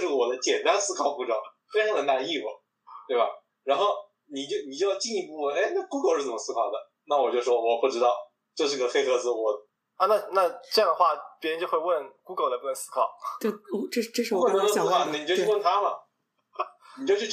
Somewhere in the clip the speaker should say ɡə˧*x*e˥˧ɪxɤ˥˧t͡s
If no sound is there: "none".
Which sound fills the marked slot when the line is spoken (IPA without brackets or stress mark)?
x